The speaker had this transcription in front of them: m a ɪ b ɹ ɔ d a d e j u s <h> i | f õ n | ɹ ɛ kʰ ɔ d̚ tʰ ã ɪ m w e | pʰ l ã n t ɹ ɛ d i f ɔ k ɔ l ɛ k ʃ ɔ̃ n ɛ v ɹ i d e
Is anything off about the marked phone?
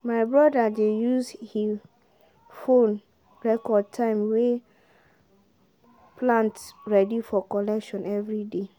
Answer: no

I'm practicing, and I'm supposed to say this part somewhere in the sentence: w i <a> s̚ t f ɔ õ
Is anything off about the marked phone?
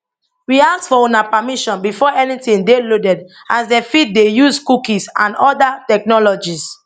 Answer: no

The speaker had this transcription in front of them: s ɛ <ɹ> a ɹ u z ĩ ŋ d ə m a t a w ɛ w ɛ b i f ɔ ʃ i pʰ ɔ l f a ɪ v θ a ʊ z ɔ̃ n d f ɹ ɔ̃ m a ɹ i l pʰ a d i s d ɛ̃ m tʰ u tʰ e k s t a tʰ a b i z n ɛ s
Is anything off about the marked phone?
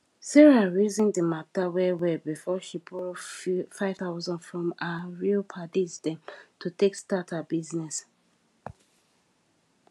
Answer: no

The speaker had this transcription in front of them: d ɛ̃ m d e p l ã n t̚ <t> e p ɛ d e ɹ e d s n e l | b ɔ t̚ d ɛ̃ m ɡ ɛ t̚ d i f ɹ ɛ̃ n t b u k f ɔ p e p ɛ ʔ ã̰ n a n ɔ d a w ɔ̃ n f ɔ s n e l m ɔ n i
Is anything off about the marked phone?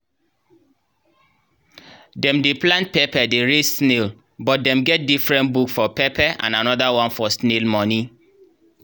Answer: yes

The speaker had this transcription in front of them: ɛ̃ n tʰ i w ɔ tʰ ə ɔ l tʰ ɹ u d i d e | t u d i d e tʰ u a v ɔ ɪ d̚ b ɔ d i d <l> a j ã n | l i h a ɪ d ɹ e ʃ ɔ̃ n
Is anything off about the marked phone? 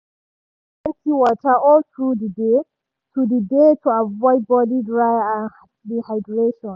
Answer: yes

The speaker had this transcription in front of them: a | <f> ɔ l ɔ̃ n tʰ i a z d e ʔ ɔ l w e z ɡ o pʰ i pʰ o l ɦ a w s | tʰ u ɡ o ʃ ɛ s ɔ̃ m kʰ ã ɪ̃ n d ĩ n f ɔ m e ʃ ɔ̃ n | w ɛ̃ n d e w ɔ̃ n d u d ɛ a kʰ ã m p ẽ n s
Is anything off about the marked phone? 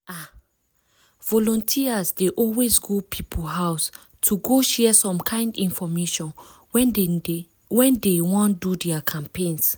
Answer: yes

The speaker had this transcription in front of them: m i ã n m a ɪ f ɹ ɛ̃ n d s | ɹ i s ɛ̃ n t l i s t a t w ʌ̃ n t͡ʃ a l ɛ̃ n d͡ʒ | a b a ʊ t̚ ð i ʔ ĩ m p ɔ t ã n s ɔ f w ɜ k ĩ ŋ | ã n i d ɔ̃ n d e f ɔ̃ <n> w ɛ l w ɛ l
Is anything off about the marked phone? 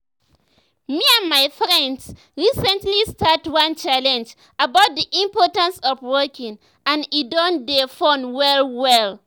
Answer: no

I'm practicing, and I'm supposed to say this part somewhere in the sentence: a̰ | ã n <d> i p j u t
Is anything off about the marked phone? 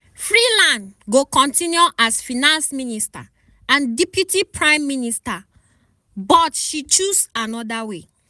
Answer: no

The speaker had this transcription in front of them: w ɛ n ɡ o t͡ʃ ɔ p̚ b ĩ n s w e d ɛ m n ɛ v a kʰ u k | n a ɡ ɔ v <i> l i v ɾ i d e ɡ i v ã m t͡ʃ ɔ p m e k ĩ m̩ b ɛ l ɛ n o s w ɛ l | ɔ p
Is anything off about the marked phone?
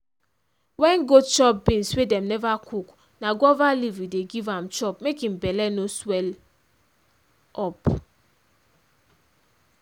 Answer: yes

